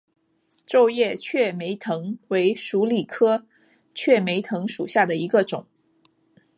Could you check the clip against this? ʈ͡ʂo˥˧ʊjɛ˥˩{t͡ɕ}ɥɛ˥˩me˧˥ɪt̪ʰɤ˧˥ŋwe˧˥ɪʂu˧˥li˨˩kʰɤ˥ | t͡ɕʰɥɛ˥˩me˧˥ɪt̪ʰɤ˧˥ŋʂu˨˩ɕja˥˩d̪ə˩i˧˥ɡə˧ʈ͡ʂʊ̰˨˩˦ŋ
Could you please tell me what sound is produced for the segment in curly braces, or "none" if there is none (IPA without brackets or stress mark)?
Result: t͡ɕʰ